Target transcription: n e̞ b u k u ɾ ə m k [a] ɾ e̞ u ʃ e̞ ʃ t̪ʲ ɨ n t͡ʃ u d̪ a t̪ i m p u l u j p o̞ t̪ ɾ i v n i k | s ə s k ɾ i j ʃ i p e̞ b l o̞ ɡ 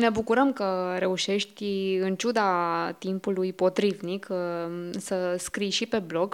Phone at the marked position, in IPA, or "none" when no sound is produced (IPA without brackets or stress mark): ə